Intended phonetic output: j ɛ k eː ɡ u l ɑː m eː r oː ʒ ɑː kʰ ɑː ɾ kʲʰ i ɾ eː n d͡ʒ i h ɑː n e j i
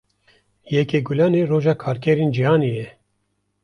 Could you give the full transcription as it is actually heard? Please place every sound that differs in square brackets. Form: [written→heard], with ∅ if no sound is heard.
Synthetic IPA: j ɛ k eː ɡ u l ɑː [m→n] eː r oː ʒ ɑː kʰ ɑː ɾ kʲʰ [i→ɛ] ɾ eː n d͡ʒ i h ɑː n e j [i→ɛ]